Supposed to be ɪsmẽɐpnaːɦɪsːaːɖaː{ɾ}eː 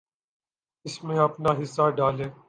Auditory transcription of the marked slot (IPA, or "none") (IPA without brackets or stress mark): l